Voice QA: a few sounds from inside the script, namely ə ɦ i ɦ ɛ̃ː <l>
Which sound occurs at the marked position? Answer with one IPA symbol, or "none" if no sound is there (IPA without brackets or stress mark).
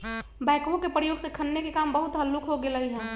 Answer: none